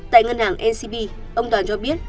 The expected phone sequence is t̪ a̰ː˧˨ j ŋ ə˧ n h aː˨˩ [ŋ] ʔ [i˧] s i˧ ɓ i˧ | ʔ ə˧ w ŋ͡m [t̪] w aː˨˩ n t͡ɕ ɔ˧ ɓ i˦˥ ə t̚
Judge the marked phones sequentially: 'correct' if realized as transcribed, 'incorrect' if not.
correct, incorrect: ɛ˧, correct

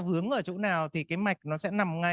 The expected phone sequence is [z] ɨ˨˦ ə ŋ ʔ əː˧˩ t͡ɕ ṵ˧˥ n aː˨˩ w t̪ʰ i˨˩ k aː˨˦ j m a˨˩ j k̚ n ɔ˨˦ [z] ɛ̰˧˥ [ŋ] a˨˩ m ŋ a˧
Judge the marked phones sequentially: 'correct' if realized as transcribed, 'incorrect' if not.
incorrect: v, incorrect: s, incorrect: n

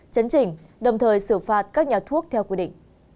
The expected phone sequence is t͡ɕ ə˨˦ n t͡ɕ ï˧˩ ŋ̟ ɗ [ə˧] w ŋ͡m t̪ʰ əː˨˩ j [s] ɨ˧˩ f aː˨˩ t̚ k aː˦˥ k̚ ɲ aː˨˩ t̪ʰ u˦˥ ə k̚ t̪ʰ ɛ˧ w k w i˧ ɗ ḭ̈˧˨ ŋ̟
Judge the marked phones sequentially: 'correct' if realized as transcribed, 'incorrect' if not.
incorrect: ə˨˩, correct

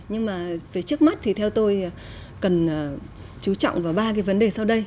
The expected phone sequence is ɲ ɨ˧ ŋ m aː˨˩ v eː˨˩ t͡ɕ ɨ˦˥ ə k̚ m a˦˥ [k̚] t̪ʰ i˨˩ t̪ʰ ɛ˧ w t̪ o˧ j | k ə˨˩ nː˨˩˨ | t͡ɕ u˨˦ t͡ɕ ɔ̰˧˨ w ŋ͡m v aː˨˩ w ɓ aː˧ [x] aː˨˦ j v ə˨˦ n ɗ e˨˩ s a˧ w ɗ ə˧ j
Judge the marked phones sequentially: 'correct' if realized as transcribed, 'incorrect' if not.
incorrect: t̚, incorrect: k

